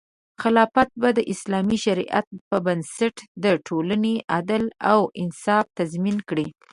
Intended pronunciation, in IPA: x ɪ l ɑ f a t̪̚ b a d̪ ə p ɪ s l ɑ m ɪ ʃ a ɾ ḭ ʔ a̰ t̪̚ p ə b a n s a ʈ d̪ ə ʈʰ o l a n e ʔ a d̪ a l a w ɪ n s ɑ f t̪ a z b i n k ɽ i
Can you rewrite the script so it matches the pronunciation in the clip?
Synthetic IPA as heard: x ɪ l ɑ f a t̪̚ b a d̪ ə ʔ ɪ s l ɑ m i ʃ a ɾ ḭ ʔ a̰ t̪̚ p ə b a n s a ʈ d̪ ə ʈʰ o l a n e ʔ a d̪ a l a w ɪ n s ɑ f t̪ a z m i n k ɽ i